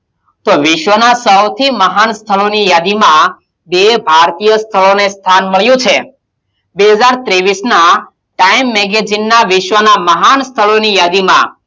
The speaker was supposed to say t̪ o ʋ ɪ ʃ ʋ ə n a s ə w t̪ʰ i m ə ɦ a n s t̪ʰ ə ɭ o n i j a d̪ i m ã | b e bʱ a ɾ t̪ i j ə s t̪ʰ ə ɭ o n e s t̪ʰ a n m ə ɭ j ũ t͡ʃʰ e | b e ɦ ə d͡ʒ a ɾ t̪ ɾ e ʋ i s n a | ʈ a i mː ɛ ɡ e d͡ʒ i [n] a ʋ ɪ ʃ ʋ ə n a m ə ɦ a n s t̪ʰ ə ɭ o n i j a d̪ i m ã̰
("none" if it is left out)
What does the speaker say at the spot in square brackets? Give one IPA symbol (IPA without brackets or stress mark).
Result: nː